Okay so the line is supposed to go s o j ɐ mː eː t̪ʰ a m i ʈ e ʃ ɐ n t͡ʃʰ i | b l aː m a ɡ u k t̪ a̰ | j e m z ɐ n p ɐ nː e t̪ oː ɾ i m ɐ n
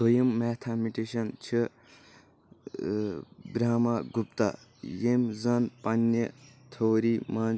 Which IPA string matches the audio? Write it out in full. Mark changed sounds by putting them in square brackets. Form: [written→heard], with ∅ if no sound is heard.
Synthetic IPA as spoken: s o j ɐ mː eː t̪ʰ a m i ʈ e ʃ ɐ n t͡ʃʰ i | b [l→ɾ] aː m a ɡ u [k→p] t̪ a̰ | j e m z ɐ n p ɐ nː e [t̪→t̪ʰ] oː ɾ i m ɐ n